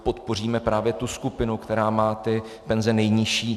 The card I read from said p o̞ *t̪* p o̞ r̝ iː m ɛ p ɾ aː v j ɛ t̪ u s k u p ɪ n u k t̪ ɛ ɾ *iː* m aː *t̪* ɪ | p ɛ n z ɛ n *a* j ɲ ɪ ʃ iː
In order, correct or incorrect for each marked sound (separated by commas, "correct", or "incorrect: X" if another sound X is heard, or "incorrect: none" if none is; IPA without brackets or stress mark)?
correct, incorrect: aː, correct, incorrect: ɛ